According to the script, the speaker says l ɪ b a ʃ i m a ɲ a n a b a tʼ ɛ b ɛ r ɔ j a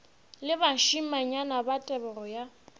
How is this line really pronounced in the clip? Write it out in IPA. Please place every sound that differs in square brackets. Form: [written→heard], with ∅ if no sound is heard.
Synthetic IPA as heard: l ɪ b a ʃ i m a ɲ a n a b a tʼ ɛ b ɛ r ɔ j a